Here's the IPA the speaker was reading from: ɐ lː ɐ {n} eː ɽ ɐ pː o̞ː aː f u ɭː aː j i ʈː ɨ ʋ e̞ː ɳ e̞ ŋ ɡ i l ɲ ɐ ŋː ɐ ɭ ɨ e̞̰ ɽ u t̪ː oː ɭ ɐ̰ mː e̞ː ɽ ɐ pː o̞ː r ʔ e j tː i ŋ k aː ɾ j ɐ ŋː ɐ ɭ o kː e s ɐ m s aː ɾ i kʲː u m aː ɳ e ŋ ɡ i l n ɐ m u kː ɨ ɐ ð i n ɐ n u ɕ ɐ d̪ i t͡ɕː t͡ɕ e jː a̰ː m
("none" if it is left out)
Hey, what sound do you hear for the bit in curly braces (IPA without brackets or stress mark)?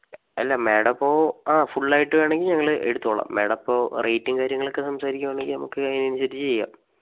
m